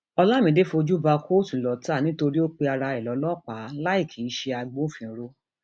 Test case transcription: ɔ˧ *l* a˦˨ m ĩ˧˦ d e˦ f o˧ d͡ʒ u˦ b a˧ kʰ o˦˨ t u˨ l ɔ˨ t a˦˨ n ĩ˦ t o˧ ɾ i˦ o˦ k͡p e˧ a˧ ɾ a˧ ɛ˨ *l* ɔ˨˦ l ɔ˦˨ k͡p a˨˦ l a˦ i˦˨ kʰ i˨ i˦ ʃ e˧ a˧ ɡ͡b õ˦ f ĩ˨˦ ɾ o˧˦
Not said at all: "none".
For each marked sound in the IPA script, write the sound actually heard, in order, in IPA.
l, l

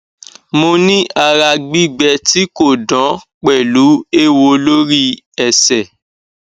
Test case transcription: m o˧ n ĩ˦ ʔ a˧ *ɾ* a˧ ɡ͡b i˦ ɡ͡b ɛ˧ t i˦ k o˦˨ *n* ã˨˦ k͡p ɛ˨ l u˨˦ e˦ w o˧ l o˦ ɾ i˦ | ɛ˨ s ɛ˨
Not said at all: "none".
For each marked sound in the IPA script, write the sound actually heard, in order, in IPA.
ɾ, d

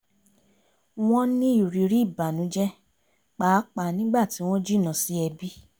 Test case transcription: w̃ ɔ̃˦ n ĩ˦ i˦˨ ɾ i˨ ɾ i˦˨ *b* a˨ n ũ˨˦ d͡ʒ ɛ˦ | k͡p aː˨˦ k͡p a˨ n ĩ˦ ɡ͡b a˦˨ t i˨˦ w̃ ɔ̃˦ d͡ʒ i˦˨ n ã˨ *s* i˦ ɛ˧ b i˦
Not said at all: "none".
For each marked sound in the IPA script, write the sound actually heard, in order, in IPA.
b, s

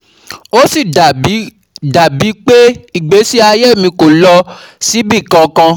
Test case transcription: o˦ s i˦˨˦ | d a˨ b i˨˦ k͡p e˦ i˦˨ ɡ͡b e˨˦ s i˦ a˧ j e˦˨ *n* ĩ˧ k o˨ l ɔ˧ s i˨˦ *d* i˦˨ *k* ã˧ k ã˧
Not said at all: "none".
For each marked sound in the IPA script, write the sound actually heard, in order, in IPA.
m, b, k

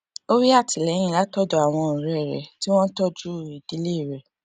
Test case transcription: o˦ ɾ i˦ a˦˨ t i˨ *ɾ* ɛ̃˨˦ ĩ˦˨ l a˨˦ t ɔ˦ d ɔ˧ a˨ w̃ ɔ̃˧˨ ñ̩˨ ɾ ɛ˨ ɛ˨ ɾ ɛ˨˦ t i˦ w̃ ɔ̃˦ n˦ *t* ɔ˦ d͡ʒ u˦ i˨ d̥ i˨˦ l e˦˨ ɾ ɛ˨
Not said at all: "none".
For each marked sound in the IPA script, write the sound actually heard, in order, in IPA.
l, t

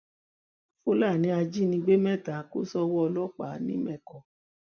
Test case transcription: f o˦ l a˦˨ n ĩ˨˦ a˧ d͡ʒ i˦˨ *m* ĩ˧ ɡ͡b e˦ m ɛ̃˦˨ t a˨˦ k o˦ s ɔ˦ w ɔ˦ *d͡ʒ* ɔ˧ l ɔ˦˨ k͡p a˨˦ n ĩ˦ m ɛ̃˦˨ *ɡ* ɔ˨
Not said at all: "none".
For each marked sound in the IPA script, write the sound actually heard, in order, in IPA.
n, none, k

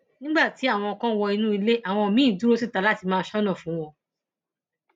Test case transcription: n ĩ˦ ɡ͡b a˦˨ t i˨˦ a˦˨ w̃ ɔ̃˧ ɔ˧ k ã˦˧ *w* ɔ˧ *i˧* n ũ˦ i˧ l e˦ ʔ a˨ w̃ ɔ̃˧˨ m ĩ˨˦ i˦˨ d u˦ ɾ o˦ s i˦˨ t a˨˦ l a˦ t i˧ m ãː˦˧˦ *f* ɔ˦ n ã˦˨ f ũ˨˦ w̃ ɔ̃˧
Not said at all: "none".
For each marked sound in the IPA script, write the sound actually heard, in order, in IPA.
w, i˧, ʃ

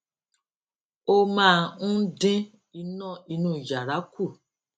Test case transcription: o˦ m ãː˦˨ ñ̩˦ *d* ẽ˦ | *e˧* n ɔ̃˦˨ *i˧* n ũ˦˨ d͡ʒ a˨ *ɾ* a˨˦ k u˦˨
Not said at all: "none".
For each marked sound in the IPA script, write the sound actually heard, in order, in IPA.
d, i˧, i˧, ɾ

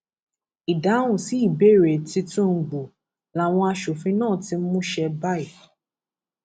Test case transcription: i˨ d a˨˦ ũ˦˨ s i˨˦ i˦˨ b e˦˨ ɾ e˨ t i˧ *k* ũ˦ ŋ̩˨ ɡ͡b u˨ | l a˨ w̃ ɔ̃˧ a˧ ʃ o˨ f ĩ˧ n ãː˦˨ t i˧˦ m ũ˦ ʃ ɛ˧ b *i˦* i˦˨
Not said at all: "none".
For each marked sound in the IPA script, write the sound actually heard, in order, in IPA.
t, a˦

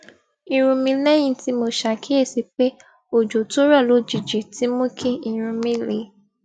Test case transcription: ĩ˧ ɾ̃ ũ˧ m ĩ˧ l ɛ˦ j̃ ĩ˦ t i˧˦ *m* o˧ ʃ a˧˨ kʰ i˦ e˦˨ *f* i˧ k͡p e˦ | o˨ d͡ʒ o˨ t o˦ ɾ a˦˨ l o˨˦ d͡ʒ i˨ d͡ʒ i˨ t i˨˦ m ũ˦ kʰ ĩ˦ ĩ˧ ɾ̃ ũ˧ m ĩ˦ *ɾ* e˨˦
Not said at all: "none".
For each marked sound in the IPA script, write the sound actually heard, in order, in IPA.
m, s, l

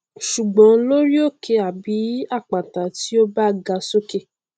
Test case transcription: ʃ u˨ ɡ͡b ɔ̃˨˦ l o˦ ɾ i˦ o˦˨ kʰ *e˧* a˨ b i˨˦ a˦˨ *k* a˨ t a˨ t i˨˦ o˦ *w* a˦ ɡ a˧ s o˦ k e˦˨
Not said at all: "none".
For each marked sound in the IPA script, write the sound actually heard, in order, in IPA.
e˧, k͡p, b

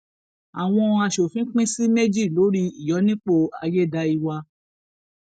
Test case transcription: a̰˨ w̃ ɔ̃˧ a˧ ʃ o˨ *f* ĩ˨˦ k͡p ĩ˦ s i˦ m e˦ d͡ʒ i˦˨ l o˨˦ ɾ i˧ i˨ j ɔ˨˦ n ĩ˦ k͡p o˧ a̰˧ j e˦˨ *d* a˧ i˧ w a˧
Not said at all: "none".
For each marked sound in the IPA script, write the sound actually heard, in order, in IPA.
f, d

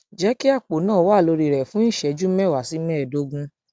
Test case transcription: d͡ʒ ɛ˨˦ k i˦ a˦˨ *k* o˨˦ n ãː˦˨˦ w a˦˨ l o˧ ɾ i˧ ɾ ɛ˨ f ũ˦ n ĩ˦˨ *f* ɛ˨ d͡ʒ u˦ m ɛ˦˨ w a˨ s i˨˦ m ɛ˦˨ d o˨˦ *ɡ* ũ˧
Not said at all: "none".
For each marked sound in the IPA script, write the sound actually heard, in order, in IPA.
k͡p, ʃ, ɡ

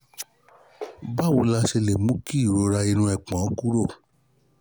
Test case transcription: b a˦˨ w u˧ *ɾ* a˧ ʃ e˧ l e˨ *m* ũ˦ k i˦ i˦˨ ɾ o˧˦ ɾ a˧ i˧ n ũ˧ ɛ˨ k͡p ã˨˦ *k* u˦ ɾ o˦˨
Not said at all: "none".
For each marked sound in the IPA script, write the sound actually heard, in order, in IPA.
l, m, k

